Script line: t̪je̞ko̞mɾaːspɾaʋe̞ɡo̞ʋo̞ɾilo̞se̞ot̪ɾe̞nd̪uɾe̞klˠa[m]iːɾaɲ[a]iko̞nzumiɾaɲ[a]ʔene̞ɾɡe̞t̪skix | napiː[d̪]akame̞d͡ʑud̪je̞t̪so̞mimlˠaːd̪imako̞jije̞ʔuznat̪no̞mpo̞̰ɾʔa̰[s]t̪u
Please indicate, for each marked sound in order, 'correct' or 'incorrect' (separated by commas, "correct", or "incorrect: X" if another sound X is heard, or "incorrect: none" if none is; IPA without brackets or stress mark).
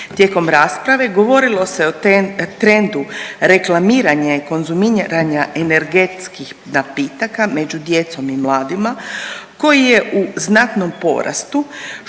correct, correct, correct, incorrect: t̪, correct